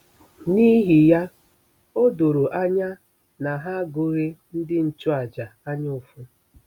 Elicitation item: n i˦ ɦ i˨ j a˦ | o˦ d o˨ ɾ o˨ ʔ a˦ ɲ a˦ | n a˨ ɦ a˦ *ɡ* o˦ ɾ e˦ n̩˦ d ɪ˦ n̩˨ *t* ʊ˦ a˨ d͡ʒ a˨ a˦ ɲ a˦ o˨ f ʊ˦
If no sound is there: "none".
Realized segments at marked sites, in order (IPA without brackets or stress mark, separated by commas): ɡ, t͡ʃ